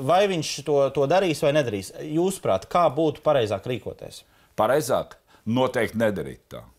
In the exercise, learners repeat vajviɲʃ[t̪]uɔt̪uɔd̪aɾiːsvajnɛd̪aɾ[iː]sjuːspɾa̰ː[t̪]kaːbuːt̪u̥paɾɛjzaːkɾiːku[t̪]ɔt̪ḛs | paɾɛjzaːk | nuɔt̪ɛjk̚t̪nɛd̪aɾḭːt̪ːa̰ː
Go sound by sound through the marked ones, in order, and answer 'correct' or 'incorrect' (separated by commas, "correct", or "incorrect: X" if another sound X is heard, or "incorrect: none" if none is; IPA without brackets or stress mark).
correct, correct, correct, incorrect: none